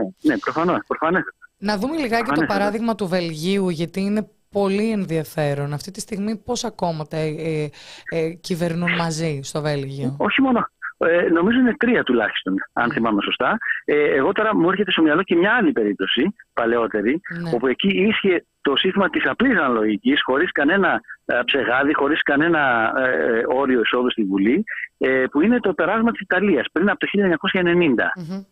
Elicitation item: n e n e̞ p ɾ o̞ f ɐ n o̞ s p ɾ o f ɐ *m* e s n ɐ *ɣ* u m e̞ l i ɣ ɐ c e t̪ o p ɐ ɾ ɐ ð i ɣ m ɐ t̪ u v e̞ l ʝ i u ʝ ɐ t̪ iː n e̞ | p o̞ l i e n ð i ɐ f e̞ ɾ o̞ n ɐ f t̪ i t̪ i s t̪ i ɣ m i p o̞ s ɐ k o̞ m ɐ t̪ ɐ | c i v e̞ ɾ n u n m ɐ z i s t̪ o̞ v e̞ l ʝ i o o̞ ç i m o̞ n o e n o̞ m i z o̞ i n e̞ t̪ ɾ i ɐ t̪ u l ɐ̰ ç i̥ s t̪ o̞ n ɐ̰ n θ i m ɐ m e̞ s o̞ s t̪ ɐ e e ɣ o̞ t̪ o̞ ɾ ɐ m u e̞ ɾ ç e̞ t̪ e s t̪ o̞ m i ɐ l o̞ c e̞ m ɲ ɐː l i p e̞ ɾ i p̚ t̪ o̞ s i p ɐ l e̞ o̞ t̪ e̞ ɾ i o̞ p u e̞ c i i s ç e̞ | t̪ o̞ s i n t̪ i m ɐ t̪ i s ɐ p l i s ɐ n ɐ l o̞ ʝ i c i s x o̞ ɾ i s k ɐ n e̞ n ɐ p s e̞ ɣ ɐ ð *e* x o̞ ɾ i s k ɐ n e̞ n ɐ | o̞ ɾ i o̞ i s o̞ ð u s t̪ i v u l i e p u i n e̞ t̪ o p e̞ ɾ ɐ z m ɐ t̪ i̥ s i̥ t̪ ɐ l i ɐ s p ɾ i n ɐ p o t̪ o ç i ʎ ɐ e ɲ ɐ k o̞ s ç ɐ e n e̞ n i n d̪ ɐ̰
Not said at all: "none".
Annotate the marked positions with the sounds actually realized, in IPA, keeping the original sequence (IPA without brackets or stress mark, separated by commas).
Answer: n, ð, i